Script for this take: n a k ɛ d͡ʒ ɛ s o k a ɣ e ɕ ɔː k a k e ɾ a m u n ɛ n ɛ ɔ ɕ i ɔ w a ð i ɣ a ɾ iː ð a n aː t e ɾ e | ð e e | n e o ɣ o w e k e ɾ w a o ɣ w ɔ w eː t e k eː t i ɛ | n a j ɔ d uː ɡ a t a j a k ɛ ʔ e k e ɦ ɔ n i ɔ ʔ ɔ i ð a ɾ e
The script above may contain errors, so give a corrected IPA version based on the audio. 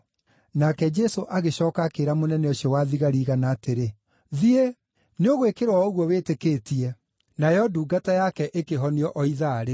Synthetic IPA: n a k ɛ d͡ʒ ɛ s o ʔ a ɣ e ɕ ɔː k a k e ɾ a m o n ɛ n ɛ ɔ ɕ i ɔ w a ð i ɣ a ɾ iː ɣ a n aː t e ɾ e | ð i e | n e o ɣ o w e k e ɾ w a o ɣ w ɔ w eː t e k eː t i ɛ | n a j ɔ d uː ɡ a t a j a k ɛ ʔ e k e ɦ ɔ n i ɔ ʔ ɔ i ð a ɾ e

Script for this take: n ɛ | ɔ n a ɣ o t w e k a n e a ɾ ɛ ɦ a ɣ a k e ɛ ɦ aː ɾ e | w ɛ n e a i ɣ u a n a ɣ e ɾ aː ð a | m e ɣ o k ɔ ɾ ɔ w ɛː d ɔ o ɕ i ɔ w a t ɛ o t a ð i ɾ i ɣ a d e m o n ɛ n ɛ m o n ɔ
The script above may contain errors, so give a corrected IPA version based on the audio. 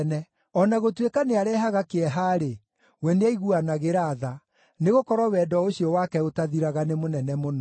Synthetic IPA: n ɛ | ɔ n a ɣ o t w e k a n e a ɾ ɛ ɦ a ɣ a k e ɛ ɦ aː ɾ e | w ɛ n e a i ɣ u a n a ɣ e ɾ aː ð a | n e ɣ o k ɔ ɾ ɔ w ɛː d ɔ o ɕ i ɔ w a k ɛ o t a ð i ɾ a ɣ a n e m o n ɛ n ɛ m o n ɔ

